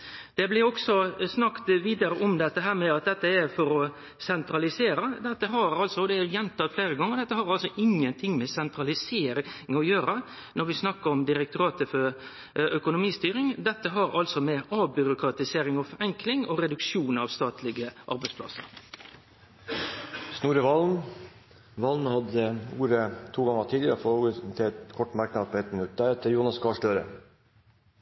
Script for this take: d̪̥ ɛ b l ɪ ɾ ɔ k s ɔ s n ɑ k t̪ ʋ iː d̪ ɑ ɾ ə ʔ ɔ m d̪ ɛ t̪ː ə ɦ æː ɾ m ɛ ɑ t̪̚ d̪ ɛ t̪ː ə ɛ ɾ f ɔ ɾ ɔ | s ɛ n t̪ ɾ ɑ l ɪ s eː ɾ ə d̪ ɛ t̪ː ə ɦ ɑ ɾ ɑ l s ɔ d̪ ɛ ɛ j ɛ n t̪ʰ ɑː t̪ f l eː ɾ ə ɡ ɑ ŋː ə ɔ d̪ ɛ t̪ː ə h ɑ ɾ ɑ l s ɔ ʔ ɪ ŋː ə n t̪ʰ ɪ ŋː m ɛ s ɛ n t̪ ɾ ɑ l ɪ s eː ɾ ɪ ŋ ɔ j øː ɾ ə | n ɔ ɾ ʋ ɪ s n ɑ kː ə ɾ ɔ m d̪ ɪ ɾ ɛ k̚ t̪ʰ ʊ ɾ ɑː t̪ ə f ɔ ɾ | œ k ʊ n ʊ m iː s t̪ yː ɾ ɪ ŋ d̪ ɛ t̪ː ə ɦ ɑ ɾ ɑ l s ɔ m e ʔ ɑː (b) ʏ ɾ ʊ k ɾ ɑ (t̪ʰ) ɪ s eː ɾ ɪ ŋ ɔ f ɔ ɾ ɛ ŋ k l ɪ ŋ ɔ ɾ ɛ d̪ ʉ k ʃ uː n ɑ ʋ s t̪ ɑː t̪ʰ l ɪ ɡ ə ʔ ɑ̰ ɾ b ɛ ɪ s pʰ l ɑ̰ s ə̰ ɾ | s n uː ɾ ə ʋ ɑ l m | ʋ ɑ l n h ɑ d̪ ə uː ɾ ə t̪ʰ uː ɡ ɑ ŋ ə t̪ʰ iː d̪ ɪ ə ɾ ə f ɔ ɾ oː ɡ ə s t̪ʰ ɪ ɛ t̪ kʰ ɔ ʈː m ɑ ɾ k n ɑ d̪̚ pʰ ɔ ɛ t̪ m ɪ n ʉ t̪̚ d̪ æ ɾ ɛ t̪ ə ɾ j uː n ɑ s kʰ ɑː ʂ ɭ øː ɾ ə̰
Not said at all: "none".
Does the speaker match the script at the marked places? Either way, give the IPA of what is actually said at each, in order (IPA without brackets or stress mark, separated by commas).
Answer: b, t̪